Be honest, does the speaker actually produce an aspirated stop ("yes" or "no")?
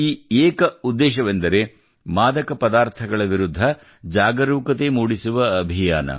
yes